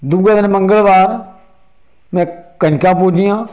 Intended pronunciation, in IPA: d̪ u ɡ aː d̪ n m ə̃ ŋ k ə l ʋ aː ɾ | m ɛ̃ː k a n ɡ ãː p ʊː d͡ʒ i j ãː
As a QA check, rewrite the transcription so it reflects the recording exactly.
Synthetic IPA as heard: d̪ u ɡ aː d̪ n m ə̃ ŋ ɡ ə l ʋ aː ɾ | m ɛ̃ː k ə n k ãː p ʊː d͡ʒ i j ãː